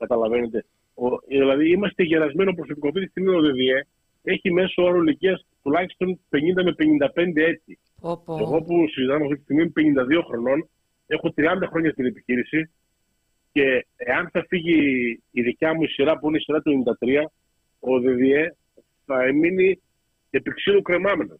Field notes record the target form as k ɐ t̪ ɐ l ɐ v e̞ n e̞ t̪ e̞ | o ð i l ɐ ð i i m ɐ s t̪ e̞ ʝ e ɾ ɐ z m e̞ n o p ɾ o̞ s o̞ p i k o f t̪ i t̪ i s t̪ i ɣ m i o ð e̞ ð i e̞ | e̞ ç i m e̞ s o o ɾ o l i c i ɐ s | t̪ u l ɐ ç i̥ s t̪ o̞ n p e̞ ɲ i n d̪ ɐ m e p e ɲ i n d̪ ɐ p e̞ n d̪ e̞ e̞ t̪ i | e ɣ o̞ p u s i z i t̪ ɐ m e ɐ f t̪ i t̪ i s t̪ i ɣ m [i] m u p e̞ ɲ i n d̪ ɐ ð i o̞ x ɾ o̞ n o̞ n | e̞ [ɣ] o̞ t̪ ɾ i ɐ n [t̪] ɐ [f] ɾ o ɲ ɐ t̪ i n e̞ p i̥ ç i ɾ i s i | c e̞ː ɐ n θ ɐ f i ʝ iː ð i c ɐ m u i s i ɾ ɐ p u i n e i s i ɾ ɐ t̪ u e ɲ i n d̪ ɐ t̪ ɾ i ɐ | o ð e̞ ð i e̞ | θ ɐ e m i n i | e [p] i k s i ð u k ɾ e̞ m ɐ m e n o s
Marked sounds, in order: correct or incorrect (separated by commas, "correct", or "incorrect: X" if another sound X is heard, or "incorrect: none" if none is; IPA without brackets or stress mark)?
correct, incorrect: x, incorrect: d̪, incorrect: x, correct